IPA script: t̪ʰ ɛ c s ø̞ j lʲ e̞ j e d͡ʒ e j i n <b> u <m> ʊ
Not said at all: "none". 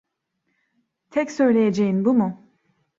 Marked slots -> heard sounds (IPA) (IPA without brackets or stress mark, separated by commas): b, m